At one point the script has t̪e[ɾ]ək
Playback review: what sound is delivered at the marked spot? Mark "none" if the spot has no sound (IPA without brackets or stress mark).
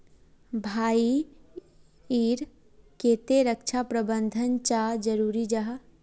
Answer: ɾ